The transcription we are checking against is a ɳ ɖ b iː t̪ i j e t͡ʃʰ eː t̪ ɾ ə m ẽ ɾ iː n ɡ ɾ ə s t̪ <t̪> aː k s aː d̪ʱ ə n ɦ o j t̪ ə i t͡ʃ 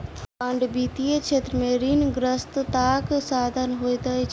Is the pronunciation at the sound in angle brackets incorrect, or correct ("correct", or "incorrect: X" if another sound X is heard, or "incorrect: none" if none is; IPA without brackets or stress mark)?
correct